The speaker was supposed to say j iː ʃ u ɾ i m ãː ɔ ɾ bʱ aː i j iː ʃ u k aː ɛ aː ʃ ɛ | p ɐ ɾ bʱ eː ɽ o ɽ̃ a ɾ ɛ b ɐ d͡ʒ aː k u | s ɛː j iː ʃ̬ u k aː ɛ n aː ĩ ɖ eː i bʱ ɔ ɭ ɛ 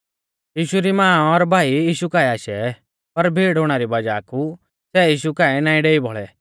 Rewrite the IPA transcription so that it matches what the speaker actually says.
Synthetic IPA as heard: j iː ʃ u ɾ i m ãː ɔ ɾ bʱ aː i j iː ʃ u k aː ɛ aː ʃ ɛ | p ɐ ɾ bʱ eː ɽ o ɽ̃ a ɾ i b ɐ d͡ʒ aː k u | s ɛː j iː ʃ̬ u k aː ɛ n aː ĩ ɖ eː i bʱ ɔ ɭ ɛ